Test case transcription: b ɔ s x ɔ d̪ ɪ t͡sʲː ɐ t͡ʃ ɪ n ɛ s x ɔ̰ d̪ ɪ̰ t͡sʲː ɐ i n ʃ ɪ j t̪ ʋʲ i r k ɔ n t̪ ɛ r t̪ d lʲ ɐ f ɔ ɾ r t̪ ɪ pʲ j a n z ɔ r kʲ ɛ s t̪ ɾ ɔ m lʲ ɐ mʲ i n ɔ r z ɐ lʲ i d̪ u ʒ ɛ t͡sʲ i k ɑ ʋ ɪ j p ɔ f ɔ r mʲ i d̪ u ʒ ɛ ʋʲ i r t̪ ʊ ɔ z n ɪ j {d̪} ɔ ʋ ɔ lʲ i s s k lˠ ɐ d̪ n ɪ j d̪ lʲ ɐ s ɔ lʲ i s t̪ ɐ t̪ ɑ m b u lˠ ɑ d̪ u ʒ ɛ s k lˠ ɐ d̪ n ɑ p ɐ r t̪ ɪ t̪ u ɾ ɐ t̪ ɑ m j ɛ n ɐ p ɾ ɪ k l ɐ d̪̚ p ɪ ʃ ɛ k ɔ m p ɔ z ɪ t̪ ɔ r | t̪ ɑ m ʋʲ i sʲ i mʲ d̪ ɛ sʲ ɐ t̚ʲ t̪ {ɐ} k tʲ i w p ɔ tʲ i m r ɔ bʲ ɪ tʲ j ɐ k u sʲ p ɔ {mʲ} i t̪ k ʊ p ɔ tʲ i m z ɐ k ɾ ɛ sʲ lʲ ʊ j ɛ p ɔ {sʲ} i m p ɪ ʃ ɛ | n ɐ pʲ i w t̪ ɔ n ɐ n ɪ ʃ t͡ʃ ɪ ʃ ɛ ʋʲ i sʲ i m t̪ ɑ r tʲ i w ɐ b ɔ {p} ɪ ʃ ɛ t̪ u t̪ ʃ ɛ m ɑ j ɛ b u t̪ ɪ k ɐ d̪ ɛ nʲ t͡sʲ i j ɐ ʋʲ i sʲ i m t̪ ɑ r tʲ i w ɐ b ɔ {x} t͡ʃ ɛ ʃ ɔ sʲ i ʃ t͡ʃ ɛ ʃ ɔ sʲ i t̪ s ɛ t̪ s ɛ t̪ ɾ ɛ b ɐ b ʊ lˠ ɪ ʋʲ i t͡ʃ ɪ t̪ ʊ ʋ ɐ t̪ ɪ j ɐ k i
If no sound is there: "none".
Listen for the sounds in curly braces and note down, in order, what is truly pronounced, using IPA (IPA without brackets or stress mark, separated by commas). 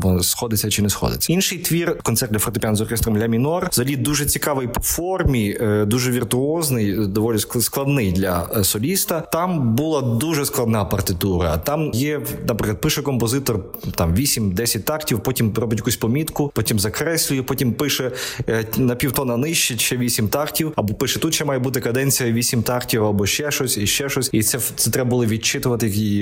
d̪, ɑ, mʲ, tʲ, p, ʃ